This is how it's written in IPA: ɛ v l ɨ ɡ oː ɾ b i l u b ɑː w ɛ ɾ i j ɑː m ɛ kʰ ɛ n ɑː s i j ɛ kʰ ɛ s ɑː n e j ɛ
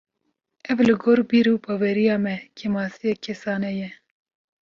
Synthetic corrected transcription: ɛ v l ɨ ɡ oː ɾ b i ɾ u b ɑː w ɛ ɾ i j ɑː m ɛ kʰ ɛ m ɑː s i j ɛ kʰ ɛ s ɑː n ɛ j ɛ